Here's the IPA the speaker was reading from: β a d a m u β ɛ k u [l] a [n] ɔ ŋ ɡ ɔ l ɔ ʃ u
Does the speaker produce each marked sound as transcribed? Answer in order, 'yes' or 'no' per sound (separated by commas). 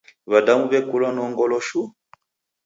yes, yes